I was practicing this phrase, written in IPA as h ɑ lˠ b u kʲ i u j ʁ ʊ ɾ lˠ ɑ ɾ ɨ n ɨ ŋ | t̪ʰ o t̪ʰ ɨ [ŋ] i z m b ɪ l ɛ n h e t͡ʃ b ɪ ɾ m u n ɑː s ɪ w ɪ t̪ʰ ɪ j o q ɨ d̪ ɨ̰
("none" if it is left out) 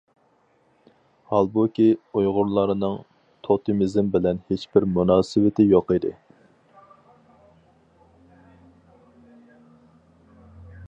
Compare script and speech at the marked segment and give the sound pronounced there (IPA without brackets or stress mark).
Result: m